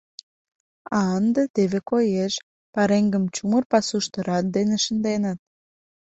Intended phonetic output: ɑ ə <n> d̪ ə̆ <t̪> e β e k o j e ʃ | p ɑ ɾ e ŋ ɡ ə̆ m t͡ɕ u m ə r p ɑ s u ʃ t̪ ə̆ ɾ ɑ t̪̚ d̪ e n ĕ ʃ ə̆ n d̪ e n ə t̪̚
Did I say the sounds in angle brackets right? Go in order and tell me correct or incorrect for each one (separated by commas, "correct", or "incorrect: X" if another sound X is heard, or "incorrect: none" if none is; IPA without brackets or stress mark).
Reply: correct, correct